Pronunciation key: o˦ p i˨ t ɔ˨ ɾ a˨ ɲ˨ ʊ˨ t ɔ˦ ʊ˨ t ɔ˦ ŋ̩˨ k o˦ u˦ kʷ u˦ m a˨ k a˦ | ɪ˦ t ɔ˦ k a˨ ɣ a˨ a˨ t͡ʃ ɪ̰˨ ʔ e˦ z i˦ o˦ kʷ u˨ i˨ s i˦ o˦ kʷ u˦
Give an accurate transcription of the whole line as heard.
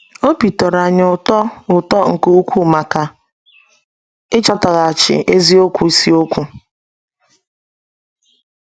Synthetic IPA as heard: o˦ p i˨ t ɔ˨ ɾ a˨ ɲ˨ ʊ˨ t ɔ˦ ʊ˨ t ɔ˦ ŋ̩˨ k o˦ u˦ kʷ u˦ m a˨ k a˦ | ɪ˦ t͡ʃ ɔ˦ t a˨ ɣ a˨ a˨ t͡ʃ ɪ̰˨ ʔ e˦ z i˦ o˦ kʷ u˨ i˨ s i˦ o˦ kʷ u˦